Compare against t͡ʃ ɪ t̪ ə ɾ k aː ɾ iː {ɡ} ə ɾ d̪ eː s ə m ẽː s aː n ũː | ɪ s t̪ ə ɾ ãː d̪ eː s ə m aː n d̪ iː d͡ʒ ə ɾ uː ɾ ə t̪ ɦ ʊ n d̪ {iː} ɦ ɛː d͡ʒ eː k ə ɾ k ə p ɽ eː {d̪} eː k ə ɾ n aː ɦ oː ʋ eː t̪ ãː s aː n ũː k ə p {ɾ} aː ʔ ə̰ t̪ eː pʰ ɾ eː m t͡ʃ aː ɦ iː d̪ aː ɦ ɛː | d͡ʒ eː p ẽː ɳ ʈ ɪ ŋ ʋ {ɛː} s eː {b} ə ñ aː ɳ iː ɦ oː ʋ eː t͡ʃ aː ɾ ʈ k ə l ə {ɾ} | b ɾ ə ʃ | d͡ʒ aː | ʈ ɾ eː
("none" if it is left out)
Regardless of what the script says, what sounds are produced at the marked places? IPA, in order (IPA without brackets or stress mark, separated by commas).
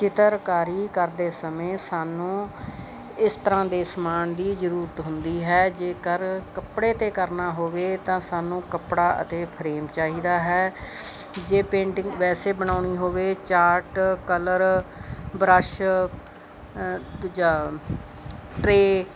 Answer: k, iː, t̪, ɽ, ɛː, b, ɾ